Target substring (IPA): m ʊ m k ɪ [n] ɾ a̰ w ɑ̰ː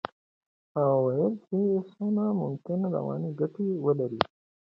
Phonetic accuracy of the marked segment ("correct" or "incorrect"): correct